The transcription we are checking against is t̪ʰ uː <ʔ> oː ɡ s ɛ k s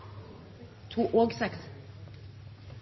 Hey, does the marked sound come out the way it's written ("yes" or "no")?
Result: yes